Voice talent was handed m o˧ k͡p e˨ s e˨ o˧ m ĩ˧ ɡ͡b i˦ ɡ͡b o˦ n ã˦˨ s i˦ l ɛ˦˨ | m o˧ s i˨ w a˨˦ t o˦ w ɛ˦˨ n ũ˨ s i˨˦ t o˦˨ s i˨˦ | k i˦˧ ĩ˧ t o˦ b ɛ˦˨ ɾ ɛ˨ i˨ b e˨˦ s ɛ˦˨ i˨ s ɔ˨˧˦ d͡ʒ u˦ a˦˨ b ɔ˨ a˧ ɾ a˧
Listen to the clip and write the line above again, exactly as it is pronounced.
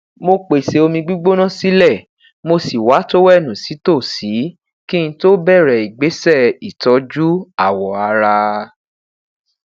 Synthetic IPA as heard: m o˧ k͡p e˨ s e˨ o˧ m ĩ˧ ɡ͡b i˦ ɡ͡b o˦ n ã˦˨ s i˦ l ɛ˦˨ | m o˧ s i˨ w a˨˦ t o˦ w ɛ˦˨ n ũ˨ s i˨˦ t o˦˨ s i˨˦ | k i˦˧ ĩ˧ t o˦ b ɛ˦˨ ɾ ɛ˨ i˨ ɡ͡b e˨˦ s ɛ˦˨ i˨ t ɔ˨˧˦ d͡ʒ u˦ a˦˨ w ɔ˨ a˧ ɾ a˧